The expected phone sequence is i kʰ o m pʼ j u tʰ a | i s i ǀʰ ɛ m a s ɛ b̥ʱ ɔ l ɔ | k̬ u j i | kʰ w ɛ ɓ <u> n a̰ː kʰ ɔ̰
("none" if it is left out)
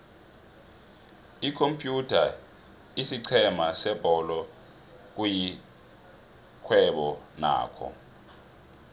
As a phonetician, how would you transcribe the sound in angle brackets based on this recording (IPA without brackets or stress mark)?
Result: ɔ